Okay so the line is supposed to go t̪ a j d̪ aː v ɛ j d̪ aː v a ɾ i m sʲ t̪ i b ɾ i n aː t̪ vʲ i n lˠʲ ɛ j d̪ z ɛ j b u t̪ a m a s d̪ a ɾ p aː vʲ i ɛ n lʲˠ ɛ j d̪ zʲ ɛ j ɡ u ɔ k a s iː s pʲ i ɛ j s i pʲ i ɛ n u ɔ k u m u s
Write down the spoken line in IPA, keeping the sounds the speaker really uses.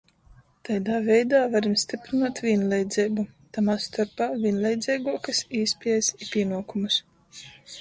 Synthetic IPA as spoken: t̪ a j d̪ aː v ɛ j d̪ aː v a ɾ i m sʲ t̪ i p ɾ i n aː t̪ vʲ i n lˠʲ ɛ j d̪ z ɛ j b u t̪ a m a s t̪ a ɾ p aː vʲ i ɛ n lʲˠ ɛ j d̪ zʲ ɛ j ɡ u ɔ k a s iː s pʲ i ɛ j s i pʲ i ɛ n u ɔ k u m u s